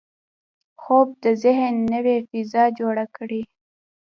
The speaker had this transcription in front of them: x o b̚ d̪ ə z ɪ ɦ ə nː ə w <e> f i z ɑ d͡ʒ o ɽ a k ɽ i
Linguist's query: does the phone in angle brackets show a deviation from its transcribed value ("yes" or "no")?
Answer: no